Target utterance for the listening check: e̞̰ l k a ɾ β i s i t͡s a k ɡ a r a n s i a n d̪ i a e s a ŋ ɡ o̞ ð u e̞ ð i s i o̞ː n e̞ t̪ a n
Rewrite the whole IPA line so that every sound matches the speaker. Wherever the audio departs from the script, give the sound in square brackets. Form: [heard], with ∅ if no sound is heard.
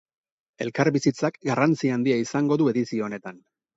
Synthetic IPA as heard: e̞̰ l k a ɾ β i s i t͡s a k ɡ a r a n [t͡s] i a n d̪ i a [i] s a ŋ ɡ o̞ ð u e̞ ð i s i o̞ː n e̞ t̪ a n